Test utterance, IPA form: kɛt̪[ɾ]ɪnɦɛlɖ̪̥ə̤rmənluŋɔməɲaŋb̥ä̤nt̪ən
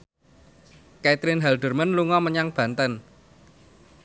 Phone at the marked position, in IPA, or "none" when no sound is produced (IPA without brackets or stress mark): ɾ